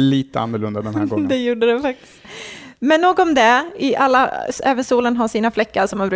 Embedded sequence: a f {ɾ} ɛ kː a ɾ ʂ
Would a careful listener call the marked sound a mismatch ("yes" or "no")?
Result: yes